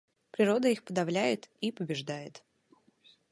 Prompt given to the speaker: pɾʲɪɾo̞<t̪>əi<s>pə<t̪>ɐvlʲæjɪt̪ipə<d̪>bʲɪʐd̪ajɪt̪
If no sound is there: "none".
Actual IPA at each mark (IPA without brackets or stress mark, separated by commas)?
d̪, x, d̪, none